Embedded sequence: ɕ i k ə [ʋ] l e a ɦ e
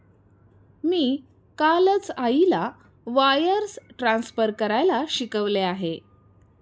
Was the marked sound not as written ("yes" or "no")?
no